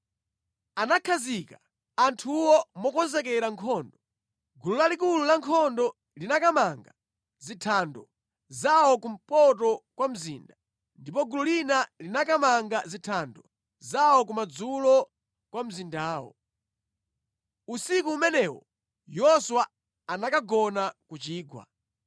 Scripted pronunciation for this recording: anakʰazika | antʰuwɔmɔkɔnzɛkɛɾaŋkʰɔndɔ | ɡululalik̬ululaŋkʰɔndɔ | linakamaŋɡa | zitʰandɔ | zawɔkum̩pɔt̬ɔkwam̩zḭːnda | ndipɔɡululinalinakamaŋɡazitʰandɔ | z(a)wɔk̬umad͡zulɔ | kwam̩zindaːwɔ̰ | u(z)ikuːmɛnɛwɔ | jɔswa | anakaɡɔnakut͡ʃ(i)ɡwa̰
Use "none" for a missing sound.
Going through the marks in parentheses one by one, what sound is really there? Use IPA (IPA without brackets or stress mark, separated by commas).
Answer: a, s, iː